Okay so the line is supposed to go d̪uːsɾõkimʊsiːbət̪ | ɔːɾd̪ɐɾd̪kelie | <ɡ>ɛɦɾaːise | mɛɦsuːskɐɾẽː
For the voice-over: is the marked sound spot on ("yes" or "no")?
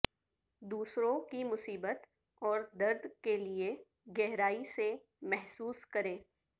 yes